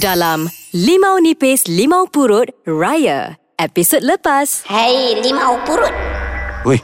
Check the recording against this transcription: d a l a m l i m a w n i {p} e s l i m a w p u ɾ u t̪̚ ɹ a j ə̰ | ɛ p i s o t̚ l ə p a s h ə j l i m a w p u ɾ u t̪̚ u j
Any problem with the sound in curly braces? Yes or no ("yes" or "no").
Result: no